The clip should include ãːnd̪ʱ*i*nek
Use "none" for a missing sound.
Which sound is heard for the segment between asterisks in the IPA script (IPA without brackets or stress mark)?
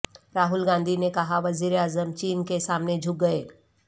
i